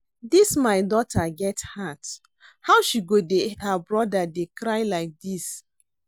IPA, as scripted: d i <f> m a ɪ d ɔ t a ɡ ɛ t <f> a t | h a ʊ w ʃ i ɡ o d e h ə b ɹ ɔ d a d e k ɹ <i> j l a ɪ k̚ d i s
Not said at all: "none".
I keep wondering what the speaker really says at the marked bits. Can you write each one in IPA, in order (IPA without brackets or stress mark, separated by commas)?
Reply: s, h, a